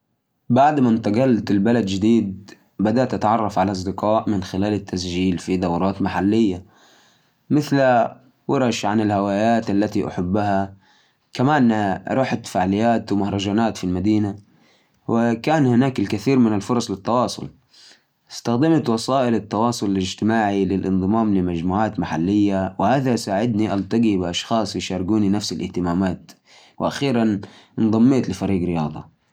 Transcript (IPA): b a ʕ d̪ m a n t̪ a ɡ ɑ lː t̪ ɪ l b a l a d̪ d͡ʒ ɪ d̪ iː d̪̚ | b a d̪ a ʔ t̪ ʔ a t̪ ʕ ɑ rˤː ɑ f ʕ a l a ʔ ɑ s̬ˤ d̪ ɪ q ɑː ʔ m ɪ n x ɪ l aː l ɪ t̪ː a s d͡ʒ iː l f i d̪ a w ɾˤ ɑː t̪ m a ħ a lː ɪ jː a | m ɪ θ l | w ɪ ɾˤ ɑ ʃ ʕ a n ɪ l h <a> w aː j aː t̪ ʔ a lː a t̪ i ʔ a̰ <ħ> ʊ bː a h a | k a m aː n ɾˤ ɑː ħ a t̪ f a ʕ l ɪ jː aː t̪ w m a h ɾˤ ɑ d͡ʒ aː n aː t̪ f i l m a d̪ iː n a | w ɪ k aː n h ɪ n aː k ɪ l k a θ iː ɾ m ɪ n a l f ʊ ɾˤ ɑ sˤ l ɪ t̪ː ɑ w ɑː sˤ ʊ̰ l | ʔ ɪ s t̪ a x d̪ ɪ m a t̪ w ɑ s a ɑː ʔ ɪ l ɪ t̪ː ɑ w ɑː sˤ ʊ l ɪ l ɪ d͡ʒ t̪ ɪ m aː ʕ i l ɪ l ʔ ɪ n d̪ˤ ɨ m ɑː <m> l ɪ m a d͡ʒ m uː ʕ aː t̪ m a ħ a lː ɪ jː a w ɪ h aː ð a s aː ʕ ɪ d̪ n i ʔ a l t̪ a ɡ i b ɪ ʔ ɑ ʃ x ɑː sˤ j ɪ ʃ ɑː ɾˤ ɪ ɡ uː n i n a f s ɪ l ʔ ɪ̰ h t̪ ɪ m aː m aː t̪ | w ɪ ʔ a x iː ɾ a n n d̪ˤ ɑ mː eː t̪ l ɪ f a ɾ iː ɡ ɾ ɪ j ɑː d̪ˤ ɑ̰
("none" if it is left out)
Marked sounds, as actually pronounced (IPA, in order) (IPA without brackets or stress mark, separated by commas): a, ħ, m